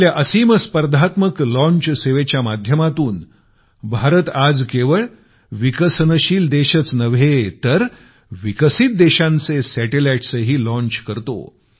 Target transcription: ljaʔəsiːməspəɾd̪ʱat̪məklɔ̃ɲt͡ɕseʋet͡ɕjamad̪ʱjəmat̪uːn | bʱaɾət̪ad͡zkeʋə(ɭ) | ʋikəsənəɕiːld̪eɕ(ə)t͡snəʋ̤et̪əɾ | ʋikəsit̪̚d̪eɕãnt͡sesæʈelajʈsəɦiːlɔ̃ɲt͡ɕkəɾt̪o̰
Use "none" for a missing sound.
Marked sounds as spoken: ɭ, ə

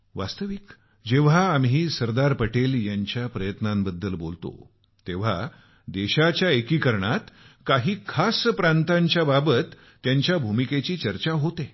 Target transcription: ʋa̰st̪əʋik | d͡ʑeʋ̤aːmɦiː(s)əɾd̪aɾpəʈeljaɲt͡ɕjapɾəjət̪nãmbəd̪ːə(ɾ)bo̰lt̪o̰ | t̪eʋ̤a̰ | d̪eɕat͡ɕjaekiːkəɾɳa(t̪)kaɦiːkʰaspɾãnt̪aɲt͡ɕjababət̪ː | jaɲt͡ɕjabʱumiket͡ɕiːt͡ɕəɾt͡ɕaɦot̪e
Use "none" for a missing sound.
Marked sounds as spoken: s, l, t̪

